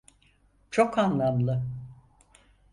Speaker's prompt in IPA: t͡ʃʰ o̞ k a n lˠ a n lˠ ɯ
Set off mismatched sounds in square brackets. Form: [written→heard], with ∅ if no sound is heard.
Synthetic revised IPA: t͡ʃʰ o̞ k a n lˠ a [n→m] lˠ ɯ